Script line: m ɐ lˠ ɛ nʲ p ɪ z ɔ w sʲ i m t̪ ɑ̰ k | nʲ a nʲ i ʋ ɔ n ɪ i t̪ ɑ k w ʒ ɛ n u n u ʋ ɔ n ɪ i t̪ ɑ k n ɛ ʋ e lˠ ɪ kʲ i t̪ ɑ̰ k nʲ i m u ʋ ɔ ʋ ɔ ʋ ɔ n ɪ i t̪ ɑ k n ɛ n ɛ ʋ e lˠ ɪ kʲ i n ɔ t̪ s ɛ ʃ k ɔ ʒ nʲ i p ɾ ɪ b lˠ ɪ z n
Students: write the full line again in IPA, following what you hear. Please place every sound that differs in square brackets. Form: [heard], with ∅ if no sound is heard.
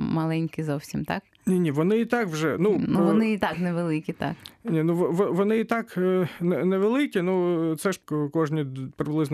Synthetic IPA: m ɐ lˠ ɛ nʲ [k] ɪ z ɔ w sʲ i m t̪ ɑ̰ k | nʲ [i] nʲ i ʋ ɔ n ɪ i t̪ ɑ k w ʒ ɛ n u n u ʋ ɔ n ɪ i t̪ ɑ k n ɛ ʋ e lˠ ɪ kʲ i t̪ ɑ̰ k nʲ i [n] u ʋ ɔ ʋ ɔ ʋ ɔ n ɪ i t̪ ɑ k n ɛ n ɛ ʋ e lˠ ɪ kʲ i n [u] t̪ s ɛ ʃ k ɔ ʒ nʲ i p ɾ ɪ b lˠ ɪ z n